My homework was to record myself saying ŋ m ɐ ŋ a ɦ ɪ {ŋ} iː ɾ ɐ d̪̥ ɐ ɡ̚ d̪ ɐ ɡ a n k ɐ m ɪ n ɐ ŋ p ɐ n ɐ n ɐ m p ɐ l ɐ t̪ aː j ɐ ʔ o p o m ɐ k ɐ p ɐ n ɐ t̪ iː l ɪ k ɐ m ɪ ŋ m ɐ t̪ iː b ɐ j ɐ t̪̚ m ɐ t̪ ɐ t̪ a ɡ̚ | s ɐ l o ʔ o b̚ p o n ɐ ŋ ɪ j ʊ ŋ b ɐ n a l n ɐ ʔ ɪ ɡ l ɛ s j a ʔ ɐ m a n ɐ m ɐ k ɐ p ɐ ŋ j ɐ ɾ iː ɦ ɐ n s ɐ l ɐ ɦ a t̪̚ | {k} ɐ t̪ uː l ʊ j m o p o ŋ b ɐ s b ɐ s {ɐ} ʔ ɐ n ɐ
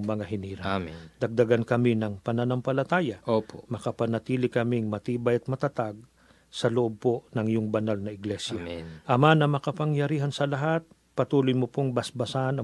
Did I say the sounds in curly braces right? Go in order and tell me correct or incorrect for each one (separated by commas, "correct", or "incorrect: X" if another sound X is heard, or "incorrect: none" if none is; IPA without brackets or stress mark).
incorrect: n, incorrect: p, incorrect: a